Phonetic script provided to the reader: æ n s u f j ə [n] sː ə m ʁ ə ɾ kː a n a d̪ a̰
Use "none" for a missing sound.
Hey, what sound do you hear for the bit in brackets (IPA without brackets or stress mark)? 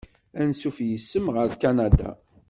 none